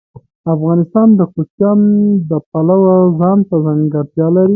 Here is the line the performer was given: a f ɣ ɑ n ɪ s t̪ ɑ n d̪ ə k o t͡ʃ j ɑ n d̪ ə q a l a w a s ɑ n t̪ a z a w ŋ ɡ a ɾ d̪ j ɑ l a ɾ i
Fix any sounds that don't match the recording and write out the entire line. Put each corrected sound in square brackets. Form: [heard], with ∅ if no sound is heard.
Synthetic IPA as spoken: a f ɣ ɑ n ɪ s t̪ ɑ n d̪ ə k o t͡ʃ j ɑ n d̪ ə [p] a l a w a [z] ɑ n t̪ a z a [∅] ŋ ɡ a ɾ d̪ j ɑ l a ɾ i